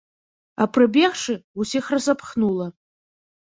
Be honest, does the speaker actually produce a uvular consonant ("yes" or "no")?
yes